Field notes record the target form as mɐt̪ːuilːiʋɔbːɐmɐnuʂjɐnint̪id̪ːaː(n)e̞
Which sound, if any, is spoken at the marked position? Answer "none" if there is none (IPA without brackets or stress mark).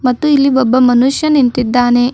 n